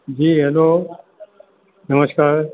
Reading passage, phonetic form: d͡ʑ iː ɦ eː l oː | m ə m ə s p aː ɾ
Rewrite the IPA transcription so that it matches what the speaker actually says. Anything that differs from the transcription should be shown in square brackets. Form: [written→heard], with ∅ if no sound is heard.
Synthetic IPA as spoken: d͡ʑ iː ɦ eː l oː | [m→n] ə m ə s [p→k] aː ɾ